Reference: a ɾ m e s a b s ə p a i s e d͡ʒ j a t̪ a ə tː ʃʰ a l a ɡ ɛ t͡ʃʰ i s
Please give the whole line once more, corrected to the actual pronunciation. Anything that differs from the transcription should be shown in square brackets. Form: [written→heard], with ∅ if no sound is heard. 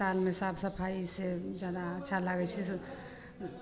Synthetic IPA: a [ɾ→l] m e s a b s ə [p→pʰ] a i s e d͡ʒ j a [t̪→d̪] a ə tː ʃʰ a l a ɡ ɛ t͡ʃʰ i s